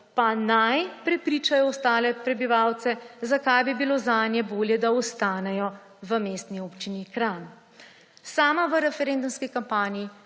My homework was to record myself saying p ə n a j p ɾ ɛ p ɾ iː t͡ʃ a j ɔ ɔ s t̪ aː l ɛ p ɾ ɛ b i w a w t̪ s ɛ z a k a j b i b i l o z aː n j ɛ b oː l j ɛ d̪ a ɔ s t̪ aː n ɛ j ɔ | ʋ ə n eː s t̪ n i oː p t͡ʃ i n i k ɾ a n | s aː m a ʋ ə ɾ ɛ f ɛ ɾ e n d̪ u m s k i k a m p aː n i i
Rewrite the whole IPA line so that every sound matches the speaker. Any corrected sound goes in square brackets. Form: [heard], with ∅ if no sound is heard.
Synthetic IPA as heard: p [a] n a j p ɾ ɛ p ɾ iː t͡ʃ a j ɔ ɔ s t̪ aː l ɛ p ɾ ɛ b i [ʋ] a w t̪ s ɛ z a k a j b i b i l o z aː n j ɛ b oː l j ɛ d̪ a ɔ s t̪ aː n ɛ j ɔ | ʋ ə [m] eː s t̪ n i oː p t͡ʃ i n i k ɾ a n | s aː m a ʋ ə ɾ ɛ f ɛ ɾ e n d̪ u m s k i k a m p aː n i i